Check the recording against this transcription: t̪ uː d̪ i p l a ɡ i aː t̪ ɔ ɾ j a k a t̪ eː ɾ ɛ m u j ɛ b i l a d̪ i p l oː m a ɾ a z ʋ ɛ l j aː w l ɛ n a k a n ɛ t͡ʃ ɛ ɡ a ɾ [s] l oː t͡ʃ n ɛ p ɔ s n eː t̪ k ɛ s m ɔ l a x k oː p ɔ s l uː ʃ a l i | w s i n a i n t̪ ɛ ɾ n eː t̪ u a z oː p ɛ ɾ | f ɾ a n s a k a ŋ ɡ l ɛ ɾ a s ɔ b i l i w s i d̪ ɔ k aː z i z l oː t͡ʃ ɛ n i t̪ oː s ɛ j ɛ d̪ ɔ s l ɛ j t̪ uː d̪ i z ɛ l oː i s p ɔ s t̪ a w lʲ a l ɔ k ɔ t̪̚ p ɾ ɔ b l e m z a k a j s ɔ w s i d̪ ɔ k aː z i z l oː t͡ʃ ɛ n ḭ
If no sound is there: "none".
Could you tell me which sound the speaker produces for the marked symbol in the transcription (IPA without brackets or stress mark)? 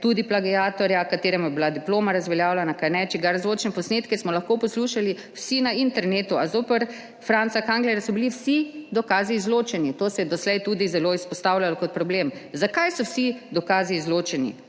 z